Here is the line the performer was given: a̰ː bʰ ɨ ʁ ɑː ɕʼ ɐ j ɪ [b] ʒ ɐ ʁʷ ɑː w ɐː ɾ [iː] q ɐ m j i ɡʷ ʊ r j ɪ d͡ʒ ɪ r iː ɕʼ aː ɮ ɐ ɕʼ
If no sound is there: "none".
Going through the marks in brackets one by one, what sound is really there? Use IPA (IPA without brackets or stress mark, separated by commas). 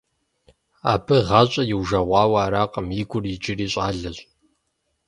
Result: w, aː